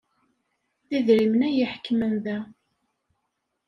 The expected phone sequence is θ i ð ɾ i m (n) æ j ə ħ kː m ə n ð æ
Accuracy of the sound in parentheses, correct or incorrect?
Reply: correct